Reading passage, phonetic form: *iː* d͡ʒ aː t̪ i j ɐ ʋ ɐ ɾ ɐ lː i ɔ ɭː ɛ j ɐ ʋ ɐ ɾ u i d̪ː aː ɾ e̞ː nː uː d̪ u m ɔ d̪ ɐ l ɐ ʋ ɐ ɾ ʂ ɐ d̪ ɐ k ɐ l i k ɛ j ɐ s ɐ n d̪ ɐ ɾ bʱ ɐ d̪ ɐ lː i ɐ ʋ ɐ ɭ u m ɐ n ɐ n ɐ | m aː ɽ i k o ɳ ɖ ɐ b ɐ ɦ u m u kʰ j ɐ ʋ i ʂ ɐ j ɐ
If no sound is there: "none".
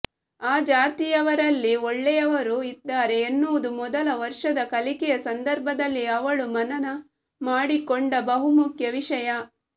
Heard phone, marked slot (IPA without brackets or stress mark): aː